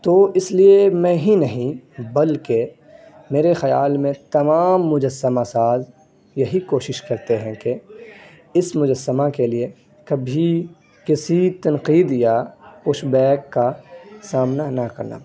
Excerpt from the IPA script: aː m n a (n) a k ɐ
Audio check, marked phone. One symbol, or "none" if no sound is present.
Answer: n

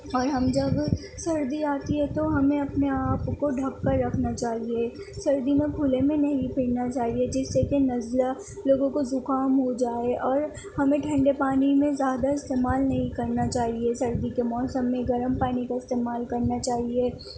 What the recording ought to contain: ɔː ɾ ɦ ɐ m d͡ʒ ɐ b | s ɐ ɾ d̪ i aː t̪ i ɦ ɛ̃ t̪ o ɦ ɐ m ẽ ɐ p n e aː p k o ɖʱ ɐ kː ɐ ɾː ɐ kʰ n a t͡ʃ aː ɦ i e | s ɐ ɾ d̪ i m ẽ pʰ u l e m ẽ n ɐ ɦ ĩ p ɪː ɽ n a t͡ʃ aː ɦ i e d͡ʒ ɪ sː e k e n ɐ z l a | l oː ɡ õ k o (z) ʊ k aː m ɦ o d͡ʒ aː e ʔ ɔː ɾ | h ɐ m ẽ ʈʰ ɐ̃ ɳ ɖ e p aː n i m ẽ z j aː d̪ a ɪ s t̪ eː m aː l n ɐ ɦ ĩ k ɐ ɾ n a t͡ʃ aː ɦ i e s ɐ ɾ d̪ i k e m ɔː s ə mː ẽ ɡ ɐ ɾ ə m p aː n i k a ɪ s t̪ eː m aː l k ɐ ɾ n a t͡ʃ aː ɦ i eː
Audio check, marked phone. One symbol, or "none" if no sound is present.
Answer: z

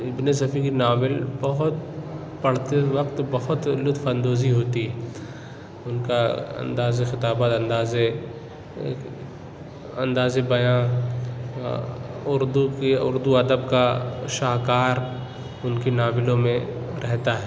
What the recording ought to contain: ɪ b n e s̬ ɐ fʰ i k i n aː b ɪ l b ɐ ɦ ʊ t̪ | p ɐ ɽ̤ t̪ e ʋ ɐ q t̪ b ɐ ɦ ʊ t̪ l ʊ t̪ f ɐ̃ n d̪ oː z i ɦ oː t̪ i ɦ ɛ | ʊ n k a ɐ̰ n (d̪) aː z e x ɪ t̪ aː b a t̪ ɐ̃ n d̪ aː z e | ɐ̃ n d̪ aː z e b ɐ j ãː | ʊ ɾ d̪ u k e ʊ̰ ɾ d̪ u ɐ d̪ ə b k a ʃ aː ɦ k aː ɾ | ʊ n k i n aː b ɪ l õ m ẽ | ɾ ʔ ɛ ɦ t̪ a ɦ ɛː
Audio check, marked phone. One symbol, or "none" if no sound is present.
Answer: d̪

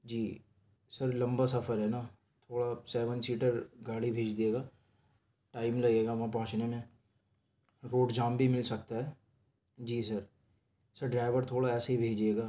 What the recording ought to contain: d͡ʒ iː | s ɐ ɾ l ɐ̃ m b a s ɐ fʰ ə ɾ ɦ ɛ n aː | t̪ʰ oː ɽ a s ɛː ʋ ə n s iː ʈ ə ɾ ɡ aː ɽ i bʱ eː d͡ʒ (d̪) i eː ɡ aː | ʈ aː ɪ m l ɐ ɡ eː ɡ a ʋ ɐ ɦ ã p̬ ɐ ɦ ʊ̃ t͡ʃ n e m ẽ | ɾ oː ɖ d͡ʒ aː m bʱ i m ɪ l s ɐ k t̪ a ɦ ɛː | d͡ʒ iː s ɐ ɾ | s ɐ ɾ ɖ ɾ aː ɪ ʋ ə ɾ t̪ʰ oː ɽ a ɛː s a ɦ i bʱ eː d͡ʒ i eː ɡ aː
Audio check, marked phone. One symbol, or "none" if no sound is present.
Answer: d̪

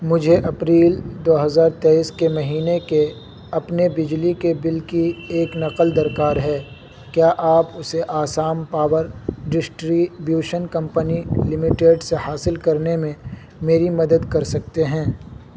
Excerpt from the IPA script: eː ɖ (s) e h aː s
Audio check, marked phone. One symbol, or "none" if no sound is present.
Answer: s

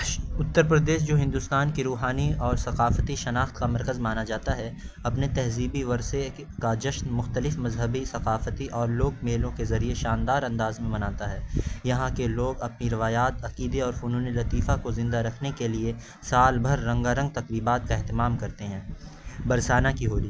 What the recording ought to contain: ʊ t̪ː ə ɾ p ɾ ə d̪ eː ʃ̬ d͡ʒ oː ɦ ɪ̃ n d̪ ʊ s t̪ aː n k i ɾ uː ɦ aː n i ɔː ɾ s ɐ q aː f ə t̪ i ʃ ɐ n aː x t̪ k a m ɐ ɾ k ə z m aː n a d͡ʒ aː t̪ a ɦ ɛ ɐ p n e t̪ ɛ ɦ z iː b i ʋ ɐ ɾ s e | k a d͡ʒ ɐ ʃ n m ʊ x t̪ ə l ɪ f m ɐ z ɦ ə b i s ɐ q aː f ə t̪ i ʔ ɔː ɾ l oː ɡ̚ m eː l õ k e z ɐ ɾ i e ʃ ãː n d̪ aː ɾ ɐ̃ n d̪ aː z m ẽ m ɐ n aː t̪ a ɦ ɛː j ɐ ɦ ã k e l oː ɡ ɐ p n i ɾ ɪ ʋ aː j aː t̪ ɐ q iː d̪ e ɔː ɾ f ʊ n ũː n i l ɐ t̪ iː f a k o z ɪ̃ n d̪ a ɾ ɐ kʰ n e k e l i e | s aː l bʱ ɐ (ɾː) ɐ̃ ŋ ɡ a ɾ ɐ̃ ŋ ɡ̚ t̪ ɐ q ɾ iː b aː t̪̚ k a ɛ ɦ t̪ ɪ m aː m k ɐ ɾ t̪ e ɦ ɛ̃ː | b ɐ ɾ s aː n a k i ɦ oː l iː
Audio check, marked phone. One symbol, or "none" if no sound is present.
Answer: ɾː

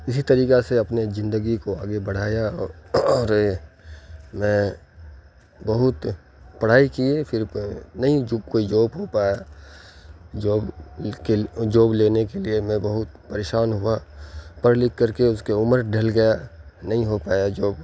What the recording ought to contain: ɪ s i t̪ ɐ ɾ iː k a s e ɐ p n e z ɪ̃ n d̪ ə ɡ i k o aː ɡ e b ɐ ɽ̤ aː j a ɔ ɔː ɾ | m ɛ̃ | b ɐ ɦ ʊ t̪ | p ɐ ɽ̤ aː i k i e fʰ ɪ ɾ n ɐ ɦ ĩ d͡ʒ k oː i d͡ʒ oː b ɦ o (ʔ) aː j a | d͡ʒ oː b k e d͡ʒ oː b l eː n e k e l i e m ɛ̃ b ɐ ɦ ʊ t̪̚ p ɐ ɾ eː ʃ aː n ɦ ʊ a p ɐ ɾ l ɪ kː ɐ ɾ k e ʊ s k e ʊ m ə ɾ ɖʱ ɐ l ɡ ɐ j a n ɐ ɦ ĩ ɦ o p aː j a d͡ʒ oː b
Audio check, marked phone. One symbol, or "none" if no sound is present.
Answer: p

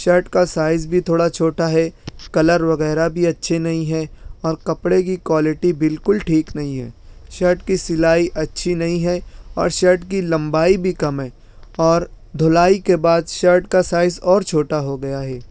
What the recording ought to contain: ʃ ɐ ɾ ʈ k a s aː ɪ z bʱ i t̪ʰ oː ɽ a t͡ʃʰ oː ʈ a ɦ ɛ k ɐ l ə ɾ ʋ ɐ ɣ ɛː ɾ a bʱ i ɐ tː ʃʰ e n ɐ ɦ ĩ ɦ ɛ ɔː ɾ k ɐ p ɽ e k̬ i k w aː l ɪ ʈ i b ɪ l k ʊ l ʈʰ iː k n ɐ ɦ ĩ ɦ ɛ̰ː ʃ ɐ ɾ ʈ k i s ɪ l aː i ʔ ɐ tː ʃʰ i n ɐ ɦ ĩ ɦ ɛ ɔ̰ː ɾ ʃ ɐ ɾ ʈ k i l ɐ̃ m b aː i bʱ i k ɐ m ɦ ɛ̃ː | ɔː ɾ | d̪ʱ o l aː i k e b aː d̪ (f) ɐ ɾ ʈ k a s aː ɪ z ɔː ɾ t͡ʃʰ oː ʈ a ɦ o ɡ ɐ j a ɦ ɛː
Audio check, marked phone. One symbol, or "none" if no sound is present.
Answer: ʃ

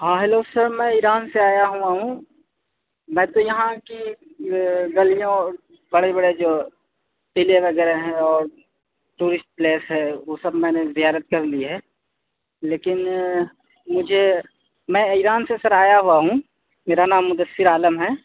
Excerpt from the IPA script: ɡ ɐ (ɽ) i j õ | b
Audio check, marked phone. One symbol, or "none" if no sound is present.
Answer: l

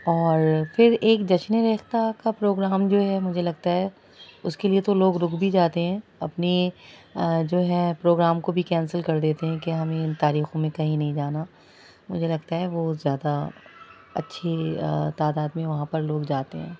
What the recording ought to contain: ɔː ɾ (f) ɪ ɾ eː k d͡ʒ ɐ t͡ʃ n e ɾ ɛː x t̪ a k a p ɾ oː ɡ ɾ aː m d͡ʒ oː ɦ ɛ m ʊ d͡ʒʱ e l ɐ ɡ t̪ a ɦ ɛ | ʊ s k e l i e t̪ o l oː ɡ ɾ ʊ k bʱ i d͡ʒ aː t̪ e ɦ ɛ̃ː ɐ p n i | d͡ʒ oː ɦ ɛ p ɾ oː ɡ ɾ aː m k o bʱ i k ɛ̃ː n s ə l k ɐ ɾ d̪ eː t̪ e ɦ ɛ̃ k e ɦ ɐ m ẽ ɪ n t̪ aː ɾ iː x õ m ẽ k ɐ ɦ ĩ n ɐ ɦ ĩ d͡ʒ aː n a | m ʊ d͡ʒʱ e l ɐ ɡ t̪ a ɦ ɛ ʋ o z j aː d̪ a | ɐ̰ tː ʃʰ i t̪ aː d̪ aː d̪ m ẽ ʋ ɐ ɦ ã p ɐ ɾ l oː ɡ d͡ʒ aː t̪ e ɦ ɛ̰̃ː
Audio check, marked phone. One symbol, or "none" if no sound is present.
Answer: f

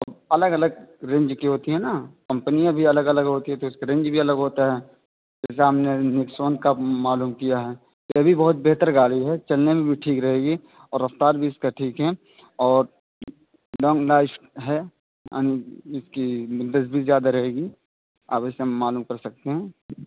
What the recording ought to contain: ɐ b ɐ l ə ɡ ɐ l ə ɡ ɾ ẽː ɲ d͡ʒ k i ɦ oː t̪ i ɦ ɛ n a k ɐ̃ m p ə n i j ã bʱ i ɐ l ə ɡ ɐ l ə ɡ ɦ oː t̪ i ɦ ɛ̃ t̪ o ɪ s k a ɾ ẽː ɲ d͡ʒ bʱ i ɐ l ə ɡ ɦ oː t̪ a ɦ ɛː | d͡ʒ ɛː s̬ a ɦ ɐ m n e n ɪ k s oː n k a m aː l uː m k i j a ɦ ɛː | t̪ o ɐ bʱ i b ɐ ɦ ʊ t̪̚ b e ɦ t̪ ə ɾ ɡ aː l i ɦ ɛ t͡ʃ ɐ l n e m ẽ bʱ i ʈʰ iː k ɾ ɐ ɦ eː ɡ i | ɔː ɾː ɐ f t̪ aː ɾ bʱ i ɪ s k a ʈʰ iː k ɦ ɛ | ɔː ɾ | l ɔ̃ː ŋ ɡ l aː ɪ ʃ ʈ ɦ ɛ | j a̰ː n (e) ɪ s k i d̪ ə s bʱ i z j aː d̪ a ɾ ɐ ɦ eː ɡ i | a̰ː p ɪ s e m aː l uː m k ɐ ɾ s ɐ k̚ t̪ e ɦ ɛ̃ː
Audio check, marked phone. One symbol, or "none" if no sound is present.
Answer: i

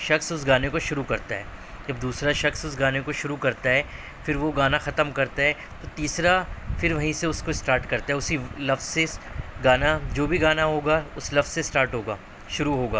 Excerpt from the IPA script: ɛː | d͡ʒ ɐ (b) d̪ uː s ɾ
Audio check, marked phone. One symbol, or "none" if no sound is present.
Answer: b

